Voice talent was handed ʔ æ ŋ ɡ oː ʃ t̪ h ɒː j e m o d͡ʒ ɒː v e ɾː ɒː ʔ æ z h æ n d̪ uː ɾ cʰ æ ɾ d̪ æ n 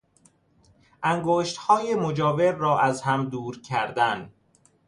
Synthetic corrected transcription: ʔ æ ŋ ɡ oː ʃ t̪ h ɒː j e m o d͡ʒ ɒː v e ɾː ɒː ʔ æ z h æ m d̪ uː ɾ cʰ æ ɾ d̪ æ n